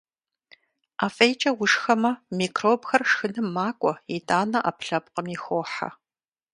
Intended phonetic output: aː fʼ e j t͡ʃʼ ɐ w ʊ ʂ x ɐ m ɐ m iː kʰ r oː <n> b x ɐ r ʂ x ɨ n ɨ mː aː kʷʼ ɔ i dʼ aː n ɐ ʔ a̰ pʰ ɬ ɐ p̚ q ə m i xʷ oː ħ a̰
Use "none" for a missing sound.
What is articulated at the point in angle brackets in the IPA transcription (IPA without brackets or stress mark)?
none